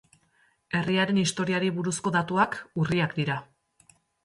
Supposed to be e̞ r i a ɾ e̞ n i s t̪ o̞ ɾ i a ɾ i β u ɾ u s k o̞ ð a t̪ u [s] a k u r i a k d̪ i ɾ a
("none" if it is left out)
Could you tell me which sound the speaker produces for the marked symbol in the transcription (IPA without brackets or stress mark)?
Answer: none